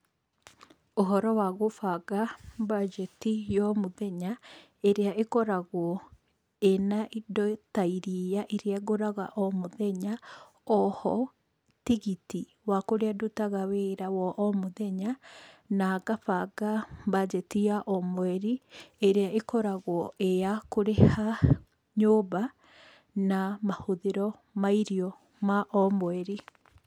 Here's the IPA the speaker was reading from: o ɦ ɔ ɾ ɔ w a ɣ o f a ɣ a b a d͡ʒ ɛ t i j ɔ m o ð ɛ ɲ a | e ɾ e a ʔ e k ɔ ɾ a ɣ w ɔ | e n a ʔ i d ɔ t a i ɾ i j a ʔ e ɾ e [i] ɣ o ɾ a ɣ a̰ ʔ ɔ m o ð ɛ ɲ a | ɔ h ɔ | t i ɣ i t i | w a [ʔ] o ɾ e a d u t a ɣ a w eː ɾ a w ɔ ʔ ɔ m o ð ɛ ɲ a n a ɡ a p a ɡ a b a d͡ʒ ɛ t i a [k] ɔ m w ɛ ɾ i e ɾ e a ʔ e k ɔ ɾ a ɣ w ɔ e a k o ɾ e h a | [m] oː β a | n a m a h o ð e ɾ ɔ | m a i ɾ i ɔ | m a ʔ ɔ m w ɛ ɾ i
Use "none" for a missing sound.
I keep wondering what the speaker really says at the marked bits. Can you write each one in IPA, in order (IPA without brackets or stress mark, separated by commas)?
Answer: a, k, ʔ, ɲ